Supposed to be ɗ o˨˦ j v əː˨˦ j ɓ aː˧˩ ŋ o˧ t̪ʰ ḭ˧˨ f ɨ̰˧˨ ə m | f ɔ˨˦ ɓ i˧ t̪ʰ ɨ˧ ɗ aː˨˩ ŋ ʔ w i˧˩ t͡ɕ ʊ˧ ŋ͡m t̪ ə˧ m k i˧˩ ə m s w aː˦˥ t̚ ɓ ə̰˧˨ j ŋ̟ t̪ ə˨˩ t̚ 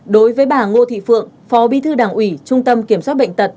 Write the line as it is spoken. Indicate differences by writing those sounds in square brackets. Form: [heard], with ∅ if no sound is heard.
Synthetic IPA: ɗ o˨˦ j v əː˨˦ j ɓ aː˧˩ ŋ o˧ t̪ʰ ḭ˧˨ f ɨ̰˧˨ ə [ŋ] | f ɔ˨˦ ɓ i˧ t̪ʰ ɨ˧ ɗ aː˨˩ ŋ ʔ w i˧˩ t͡ɕ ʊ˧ ŋ͡m t̪ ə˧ m k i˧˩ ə m s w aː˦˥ t̚ ɓ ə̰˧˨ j ŋ̟ t̪ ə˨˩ t̚